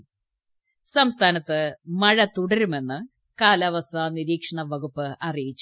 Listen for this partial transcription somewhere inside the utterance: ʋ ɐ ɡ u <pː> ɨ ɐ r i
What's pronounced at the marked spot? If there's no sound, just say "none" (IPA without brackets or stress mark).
pː